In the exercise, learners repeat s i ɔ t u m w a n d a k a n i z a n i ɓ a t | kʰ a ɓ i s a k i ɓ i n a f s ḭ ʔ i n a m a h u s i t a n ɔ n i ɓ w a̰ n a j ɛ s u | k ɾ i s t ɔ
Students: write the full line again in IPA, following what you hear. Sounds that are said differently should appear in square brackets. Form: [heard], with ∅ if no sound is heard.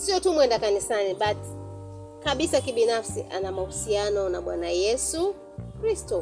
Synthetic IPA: s i ɔ t u m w [ɛ] n d a k a n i [s] a n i ɓ a t | [k] a ɓ i s a k i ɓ i n a f s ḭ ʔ [a] n a m a h u s i [∅] a n ɔ n [a] ɓ w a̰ n a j ɛ s u | k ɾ i s t ɔ